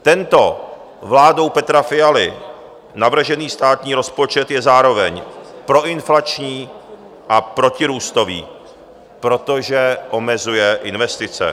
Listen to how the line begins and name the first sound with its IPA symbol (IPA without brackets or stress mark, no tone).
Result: t̪